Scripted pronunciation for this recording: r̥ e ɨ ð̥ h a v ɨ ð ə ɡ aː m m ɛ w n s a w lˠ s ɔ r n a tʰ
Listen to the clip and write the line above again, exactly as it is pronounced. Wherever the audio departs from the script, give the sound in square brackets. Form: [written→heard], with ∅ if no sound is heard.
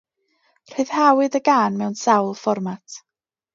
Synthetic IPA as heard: r̥ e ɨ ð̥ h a [v→w] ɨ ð ə ɡ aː [m→n] m ɛ w n s a w lˠ [s→f] ɔ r [n→m] a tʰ